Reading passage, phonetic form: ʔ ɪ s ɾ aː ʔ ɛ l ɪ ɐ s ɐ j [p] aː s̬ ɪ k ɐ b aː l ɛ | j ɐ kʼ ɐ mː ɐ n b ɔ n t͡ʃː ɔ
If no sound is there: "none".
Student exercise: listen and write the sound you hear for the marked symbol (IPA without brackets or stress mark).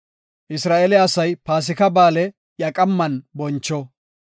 p